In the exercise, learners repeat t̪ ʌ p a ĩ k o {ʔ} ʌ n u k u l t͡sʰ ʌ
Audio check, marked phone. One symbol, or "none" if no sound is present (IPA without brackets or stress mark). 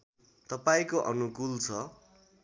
ʔ